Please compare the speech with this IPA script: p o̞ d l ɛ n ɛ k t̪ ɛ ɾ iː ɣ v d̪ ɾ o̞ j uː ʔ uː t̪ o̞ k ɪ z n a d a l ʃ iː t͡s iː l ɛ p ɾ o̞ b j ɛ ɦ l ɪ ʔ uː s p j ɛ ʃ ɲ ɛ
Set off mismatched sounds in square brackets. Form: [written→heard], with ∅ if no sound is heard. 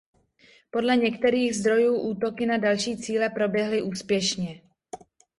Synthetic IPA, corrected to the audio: p o̞ d l ɛ [n→ɲ] ɛ k t̪ ɛ ɾ iː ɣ [v→z] d̪ ɾ o̞ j uː ʔ uː t̪ o̞ k ɪ [z→∅] n a d a l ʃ iː t͡s iː l ɛ p ɾ o̞ b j ɛ ɦ l ɪ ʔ uː s p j ɛ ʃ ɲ ɛ